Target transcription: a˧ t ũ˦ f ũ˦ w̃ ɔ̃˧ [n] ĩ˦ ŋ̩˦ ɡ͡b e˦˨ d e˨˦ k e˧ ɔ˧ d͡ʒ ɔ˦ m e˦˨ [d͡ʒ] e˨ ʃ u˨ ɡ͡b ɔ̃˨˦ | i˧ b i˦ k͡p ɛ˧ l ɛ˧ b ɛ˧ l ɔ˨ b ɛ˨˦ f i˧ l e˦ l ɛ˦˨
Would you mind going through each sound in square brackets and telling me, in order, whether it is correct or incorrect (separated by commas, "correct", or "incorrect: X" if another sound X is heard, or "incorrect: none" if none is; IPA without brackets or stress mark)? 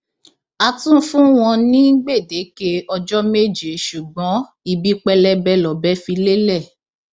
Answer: correct, correct